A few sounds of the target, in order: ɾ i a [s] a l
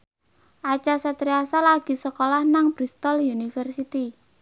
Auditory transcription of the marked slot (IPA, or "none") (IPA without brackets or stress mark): s